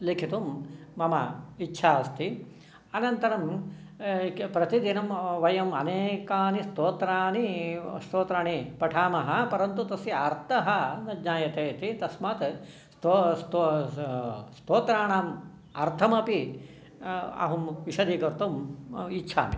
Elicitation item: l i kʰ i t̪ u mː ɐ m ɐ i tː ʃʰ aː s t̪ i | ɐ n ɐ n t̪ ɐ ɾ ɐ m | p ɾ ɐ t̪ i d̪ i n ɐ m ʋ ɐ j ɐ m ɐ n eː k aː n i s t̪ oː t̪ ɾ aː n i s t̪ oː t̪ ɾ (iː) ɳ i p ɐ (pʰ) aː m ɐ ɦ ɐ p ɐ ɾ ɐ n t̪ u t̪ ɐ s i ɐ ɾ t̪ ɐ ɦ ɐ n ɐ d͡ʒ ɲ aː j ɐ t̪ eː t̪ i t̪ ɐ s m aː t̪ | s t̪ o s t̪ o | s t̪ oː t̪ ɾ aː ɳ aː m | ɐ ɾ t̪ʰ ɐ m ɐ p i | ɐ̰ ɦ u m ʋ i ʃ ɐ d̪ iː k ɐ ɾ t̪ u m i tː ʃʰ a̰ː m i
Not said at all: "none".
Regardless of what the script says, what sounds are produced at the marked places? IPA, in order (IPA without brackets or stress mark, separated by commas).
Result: aː, ʈʰ